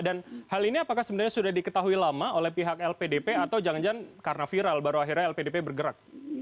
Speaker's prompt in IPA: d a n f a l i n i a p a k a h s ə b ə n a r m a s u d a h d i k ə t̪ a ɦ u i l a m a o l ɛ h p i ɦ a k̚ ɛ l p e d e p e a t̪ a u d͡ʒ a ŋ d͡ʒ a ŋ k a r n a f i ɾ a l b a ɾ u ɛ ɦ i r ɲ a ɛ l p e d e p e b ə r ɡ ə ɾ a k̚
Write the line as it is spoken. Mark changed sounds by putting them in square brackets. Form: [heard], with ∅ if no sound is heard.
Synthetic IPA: d a n [h] a l i n i a p a k a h s ə b ə n a r [ɲ] a s u d a h d i k ə t̪ a ɦ u i l a m a o l ɛ h p i ɦ a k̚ ɛ l p e d e p e a t̪ a [w] d͡ʒ a ŋ d͡ʒ a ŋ k a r n a f i ɾ a l b a ɾ u [a] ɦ i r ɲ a ɛ l p e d e p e b ə r ɡ ə ɾ a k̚